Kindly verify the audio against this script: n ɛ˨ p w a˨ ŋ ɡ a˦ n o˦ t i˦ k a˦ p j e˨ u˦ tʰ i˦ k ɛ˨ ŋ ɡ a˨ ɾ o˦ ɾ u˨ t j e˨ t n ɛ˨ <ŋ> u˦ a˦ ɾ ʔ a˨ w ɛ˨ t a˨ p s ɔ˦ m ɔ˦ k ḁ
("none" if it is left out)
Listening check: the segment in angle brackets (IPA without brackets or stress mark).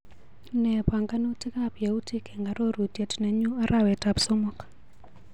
ɲ